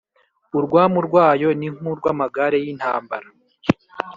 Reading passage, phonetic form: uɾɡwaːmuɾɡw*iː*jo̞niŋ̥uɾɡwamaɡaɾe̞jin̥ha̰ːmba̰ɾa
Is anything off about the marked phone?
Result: yes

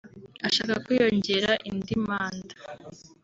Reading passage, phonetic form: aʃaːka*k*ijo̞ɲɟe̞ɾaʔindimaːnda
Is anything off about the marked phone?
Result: no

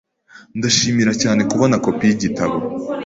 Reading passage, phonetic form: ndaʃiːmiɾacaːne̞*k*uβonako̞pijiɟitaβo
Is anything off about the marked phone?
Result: no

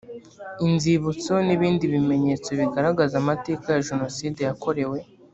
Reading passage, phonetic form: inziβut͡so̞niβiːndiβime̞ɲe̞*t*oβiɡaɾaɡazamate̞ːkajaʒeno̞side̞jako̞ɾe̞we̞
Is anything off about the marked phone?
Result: yes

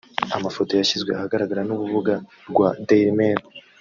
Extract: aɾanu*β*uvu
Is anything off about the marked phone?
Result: no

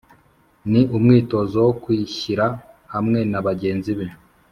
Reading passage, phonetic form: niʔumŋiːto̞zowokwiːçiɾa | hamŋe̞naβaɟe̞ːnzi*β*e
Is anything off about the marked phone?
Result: no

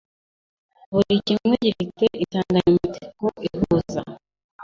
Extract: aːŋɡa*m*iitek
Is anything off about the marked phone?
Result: yes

